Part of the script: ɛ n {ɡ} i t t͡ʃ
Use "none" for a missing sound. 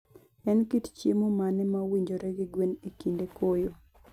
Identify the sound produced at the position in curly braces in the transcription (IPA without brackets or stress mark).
k